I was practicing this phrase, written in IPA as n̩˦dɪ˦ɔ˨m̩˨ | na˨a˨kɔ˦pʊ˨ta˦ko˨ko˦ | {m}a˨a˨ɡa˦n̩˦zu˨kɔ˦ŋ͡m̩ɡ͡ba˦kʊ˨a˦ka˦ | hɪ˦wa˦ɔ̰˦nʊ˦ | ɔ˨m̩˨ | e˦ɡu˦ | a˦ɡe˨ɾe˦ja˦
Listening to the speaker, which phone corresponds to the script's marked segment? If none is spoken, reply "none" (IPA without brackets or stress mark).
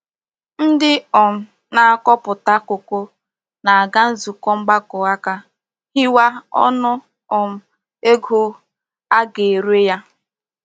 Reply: n